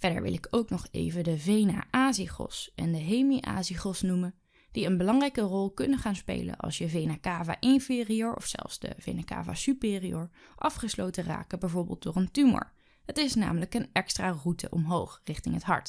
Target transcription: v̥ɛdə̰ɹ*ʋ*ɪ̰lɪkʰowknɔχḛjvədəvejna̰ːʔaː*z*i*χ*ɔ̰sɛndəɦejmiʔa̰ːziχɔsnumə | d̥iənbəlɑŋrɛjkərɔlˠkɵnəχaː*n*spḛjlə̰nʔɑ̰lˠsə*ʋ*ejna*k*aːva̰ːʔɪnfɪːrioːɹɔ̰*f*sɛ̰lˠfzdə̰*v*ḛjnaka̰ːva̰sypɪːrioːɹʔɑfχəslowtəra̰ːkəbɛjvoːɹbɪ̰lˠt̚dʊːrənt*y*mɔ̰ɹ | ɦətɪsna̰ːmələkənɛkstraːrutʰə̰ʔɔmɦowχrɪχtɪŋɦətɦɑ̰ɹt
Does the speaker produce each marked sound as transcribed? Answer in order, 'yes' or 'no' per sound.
yes, yes, yes, yes, no, yes, yes, yes, yes

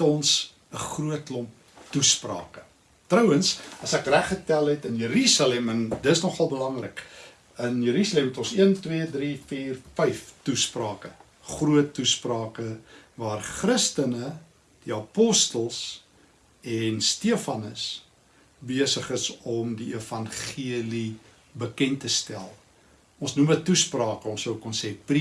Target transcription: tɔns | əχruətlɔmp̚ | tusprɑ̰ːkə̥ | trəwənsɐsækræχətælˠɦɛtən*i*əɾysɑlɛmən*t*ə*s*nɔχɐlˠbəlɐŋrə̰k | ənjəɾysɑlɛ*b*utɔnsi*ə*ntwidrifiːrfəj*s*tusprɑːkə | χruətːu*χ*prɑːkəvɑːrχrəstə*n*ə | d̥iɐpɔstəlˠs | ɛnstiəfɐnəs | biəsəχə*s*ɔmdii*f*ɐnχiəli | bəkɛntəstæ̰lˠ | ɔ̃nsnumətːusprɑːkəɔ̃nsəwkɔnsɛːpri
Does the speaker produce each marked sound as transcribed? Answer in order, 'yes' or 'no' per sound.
no, no, yes, no, yes, no, no, yes, yes, yes

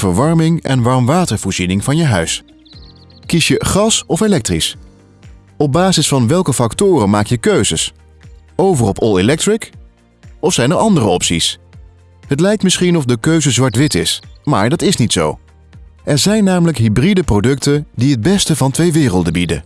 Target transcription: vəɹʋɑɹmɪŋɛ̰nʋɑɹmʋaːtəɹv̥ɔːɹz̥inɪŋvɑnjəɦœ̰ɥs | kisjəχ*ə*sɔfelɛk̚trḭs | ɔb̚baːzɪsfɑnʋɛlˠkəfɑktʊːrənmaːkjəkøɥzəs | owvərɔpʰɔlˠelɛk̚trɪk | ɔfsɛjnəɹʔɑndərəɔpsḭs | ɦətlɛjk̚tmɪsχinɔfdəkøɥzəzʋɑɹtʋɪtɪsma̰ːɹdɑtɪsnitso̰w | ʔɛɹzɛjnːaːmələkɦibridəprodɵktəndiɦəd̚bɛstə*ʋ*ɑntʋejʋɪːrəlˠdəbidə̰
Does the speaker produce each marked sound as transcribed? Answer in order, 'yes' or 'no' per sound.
no, no

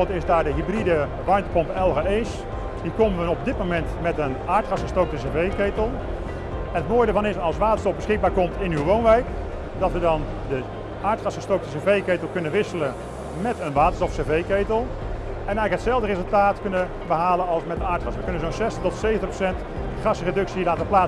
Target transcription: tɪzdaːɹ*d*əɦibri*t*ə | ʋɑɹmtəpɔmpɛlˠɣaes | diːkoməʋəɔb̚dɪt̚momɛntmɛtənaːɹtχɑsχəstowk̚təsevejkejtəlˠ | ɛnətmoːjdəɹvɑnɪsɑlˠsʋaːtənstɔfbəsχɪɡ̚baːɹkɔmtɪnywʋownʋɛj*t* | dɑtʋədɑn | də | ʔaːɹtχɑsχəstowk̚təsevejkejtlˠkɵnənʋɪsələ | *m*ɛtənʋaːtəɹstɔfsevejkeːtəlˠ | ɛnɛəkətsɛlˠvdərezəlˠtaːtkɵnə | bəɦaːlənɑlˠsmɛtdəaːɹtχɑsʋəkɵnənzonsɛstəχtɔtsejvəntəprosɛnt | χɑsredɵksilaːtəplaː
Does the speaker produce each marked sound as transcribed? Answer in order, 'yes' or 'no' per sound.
yes, no, no, yes

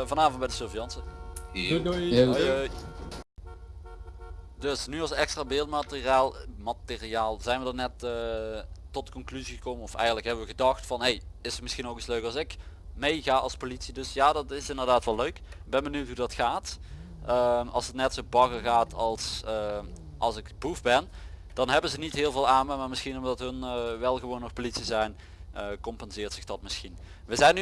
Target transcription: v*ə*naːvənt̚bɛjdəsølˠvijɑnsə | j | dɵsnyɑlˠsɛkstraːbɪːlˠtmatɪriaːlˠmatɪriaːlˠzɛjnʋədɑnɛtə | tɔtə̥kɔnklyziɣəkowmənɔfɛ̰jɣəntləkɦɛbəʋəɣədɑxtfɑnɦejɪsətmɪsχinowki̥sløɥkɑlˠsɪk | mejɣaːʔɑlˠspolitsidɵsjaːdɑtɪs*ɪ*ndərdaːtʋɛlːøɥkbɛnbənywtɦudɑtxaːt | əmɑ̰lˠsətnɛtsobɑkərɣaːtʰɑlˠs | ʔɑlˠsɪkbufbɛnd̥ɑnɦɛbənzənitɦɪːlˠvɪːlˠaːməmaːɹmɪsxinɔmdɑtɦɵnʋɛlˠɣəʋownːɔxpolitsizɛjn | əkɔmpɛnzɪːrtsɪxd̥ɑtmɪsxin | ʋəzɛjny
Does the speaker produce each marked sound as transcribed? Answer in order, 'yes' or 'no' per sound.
no, yes

